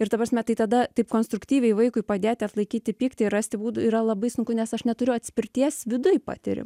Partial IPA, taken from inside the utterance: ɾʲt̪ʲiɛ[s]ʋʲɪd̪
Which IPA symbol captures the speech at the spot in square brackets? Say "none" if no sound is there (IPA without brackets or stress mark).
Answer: s